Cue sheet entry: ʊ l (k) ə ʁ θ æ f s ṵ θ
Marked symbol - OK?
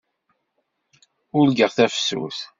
no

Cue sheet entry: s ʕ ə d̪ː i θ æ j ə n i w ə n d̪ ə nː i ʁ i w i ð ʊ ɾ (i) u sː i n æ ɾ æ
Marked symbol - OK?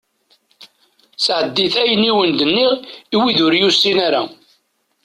no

